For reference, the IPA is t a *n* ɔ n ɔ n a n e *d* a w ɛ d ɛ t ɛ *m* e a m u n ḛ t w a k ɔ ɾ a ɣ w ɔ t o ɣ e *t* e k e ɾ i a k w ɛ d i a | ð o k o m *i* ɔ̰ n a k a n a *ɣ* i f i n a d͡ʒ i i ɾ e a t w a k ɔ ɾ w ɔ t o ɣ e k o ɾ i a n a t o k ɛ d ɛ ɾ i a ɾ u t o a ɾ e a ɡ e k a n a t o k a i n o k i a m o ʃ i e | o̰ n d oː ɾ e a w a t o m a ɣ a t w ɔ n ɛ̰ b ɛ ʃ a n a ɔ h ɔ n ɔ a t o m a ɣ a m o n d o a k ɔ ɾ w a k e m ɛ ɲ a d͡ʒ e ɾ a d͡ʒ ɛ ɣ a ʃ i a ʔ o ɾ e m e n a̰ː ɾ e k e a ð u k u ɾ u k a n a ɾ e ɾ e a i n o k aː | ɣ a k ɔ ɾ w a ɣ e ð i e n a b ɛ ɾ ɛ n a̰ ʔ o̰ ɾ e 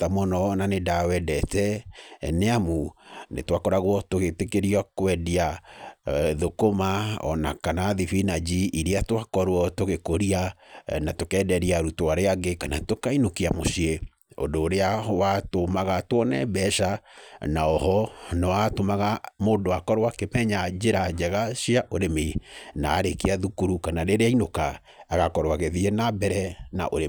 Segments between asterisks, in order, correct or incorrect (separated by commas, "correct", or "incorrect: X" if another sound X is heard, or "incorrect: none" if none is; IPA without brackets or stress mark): incorrect: m, correct, incorrect: n, correct, incorrect: a, incorrect: ð